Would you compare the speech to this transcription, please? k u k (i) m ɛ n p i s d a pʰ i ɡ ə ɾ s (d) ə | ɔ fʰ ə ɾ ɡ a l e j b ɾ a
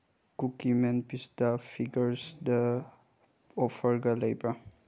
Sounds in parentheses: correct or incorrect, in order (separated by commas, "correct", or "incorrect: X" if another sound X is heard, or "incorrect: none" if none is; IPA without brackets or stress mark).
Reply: correct, correct